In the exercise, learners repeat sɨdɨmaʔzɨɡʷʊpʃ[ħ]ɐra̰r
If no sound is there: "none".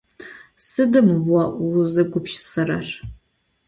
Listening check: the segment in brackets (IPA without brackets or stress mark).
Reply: s